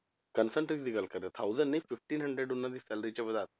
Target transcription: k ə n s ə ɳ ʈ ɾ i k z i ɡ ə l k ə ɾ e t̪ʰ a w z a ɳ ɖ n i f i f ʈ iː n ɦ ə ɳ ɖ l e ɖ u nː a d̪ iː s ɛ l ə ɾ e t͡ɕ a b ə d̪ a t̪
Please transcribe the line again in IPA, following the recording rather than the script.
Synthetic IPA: k ə n s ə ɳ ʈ ɾ i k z i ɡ ə l k ə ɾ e t̪ʰ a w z ə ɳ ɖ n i f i f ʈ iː n ɦ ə ɳ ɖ ɾ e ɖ u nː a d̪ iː s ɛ l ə ɾ i t͡ɕ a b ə d̪ a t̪

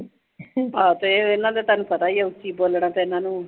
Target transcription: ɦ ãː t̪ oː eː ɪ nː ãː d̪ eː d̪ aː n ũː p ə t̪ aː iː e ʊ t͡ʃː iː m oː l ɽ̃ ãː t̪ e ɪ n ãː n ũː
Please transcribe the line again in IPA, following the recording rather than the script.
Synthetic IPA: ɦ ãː t̪ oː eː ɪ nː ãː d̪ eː t̪ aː n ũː p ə t̪ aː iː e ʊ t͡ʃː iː b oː l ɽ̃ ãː t̪ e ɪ n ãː n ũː

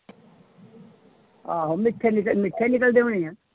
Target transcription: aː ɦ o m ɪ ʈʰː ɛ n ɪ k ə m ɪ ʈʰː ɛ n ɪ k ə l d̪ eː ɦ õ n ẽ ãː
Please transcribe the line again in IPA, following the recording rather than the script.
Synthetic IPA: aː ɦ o m ɪ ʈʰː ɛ n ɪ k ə m ɪ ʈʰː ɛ n ɪ k ə l d̪ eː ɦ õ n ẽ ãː

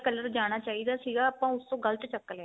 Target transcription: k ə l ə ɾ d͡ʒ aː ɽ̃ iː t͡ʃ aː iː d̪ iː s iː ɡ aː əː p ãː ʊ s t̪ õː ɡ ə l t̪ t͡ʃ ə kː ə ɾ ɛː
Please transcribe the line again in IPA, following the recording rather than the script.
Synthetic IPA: k ə l ə ɾ d͡ʒ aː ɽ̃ aː t͡ʃ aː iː d̪ aː s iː ɡ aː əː p ãː ʊ s t̪ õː ɡ ə l t̪ t͡ʃ ə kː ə l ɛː

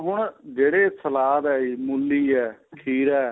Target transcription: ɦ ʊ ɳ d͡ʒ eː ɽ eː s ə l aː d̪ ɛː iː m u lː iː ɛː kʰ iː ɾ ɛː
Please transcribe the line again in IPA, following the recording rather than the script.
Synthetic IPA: ɦ ʊ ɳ d͡ʒ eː ɽ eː s ə l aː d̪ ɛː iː m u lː iː ɛː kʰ iː ɾ ɛː

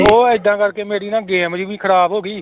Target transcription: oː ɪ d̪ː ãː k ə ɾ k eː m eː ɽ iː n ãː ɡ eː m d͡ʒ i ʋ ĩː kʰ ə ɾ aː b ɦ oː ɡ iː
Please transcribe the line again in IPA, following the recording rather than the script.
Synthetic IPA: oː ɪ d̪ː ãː k ə ɾ k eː m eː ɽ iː n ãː ɡ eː m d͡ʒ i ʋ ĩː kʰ ə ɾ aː b ɦ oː ɡ iː

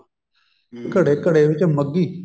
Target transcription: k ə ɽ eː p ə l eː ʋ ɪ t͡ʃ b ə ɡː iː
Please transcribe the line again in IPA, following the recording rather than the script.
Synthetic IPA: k ə ɽ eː k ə ɽ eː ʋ ɪ t͡ʃ m ə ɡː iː

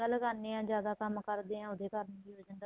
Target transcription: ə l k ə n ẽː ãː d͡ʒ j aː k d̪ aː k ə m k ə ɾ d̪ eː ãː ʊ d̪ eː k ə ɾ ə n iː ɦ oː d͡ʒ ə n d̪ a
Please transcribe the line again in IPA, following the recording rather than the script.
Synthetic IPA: ə l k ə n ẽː ãː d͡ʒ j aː d̪ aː k ə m k ə ɾ d̪ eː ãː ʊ d̪ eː k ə ɾ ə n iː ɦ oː d͡ʒ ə n d̪ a

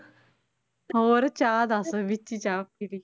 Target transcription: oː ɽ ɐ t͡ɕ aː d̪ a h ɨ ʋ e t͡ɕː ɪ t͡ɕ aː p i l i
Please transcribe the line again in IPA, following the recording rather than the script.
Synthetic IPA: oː ɾ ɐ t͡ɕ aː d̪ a s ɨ ʋ i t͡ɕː i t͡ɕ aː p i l i

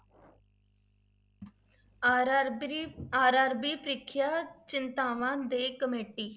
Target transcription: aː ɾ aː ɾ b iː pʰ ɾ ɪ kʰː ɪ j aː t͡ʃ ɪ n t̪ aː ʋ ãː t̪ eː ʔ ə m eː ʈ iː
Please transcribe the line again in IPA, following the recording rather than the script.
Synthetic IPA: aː ɾ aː ɾ b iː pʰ ɾ ɪ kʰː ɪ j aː t͡ʃ ɪ n t̪ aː ʋ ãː d̪ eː k ə m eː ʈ iː

